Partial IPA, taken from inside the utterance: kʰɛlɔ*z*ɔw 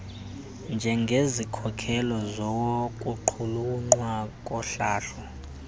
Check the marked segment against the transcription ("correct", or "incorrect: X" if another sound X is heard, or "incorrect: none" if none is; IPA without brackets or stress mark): correct